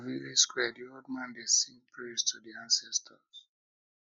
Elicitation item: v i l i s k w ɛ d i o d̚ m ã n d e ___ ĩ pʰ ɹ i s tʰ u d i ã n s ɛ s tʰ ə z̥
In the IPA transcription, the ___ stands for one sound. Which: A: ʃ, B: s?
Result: B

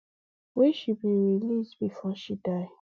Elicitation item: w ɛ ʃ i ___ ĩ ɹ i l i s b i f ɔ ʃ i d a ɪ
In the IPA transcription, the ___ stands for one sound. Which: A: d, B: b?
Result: B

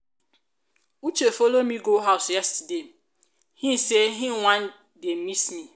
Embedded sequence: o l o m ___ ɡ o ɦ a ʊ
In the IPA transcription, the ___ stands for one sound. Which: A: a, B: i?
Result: B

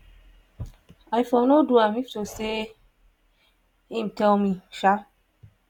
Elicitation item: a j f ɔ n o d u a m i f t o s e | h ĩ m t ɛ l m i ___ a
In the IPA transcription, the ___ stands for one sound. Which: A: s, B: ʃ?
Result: B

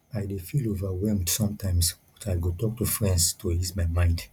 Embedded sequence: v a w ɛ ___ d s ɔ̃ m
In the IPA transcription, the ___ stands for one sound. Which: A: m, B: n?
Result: A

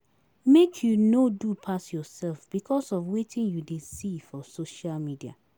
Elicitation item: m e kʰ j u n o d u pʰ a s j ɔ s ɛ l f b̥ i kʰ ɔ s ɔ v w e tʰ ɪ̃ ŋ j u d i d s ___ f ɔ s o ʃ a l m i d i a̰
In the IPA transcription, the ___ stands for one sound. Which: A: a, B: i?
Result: B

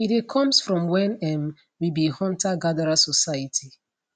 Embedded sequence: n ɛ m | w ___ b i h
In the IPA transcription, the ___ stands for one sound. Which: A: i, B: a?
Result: A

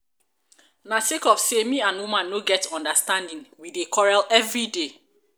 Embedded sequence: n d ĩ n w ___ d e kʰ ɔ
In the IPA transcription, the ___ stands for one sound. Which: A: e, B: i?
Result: B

